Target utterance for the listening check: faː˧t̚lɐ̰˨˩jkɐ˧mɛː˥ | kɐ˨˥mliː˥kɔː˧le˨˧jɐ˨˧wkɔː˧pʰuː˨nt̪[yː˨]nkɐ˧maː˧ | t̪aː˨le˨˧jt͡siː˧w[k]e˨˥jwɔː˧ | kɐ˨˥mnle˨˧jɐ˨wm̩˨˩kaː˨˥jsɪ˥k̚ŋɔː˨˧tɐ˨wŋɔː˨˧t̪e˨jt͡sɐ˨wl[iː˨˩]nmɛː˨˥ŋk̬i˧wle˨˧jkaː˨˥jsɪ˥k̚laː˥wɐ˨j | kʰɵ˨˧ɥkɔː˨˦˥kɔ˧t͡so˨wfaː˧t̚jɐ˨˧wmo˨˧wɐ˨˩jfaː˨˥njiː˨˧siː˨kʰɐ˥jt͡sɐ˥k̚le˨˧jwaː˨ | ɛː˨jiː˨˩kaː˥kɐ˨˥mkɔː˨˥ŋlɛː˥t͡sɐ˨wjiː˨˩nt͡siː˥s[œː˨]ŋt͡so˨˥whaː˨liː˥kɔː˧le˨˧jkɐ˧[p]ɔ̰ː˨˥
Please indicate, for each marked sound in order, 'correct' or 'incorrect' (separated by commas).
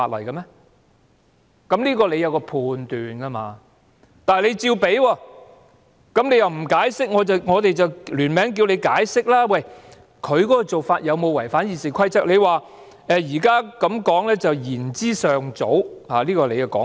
correct, incorrect, incorrect, correct, incorrect